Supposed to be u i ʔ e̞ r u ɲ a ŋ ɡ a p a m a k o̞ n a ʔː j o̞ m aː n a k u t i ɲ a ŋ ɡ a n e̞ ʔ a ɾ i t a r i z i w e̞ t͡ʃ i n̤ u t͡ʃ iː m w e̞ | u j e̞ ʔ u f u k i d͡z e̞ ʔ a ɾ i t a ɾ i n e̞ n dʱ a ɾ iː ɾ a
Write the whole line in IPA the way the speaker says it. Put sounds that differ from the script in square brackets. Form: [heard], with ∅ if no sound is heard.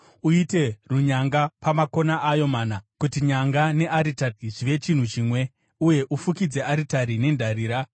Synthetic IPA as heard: u i [t] e̞ r u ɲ a ŋ ɡ a p a m a k o̞ n a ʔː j o̞ m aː n a k u t i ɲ a ŋ ɡ a n e̞ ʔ a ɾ i t a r i [ʐ] i [ʋ] e̞ t͡ʃ i n̤ u t͡ʃ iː m w e̞ | u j e̞ ʔ u f u k i d͡z e̞ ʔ a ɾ i t a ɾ i n e̞ n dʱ a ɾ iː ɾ a